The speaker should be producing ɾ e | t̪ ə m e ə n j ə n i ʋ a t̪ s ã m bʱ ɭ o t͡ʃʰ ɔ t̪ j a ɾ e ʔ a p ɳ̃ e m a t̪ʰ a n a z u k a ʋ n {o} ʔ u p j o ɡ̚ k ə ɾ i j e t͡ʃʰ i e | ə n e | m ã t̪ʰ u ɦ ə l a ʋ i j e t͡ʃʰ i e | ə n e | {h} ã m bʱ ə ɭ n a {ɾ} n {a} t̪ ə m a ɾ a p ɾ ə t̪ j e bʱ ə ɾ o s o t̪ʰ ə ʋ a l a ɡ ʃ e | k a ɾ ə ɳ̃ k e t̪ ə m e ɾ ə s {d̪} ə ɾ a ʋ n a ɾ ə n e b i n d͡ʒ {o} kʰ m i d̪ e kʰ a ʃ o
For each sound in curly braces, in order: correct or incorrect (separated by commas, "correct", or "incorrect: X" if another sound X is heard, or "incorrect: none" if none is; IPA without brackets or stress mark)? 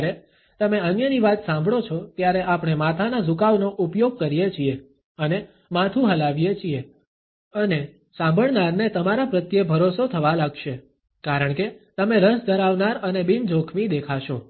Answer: correct, incorrect: s, correct, incorrect: e, correct, correct